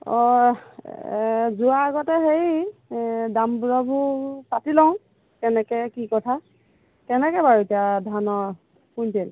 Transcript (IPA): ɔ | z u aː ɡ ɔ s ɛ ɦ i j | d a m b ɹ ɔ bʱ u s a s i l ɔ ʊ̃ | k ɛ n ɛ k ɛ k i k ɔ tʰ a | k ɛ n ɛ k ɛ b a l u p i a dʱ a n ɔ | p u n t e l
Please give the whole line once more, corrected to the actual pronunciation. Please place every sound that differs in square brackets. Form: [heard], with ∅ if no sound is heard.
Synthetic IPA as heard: ɔ | z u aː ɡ ɔ [t] ɛ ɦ [e] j | d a m b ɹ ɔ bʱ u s a [t] i l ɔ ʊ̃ | k ɛ n ɛ k ɛ k i k ɔ tʰ a | k ɛ n ɛ k ɛ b a [ɹ] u [t] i a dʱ a n ɔ | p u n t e l

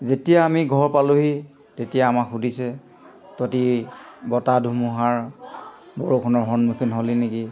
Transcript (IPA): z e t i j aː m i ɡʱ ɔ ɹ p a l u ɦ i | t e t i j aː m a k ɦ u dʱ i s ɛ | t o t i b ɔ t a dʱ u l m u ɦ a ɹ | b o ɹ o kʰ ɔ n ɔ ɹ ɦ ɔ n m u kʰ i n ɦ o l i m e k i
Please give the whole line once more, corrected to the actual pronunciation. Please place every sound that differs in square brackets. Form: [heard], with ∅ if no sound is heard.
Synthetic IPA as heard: z e t i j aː m i ɡʱ ɔ ɹ p a l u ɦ i | t e t i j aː m a k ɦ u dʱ i s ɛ | t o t i b ɔ t a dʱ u [∅] m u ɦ a ɹ | b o ɹ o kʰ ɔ n ɔ ɹ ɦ ɔ n m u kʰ i n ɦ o l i [n] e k i

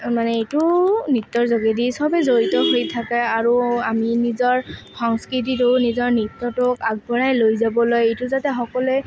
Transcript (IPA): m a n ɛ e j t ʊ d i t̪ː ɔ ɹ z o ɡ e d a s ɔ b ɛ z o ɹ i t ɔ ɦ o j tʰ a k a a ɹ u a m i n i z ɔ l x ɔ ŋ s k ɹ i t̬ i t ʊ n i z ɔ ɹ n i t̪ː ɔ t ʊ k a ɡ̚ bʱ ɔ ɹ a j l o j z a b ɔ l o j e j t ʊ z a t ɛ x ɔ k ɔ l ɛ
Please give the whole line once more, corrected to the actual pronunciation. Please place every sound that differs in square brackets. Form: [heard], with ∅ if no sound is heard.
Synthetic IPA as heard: m a n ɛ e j t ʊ [n] i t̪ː ɔ ɹ z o ɡ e d [i] s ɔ b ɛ z o ɹ i t ɔ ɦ o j tʰ a k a a ɹ u a m i n i z ɔ [ɹ] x ɔ ŋ s k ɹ i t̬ i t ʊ n i z ɔ ɹ n i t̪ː ɔ t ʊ k a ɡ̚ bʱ ɔ ɹ a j l o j z a b ɔ l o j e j t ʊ z a t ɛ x ɔ k ɔ l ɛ

